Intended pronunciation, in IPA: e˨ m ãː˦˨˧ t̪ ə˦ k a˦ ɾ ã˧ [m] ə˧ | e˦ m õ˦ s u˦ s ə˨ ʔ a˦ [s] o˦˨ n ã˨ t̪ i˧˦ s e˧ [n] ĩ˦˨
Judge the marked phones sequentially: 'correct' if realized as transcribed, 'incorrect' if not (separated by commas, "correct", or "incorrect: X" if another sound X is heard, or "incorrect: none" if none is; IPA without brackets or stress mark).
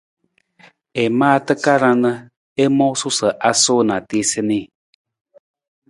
incorrect: n, correct, correct